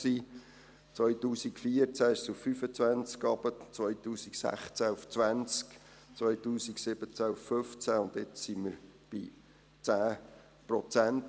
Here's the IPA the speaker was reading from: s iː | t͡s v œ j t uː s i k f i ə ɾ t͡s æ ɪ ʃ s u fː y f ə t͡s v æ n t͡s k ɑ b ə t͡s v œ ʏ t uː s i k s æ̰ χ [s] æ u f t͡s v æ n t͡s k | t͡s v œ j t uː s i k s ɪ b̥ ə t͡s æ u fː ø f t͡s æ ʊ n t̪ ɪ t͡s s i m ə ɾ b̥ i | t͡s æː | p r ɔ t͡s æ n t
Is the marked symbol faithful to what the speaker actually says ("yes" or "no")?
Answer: no